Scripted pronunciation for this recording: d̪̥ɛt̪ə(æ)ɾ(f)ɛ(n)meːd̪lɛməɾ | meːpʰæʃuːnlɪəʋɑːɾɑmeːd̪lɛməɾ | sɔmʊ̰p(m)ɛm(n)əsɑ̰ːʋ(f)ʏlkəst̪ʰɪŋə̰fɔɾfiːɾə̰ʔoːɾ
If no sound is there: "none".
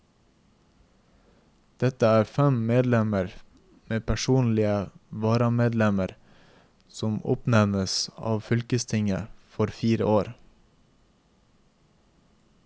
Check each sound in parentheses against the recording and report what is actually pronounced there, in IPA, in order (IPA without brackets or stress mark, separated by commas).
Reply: æː, f, m, n, n, f